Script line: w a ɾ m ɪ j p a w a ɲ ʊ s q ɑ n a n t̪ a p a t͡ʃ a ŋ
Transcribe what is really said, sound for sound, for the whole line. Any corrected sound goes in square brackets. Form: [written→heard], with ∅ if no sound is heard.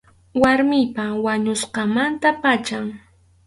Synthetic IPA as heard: w a ɾ m ɪ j p a w a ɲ ʊ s q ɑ [n→m] a n t̪ a p a t͡ʃ a ŋ